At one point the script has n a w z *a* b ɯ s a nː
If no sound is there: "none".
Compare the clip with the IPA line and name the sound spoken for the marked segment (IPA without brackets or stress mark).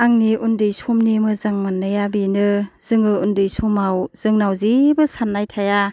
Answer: i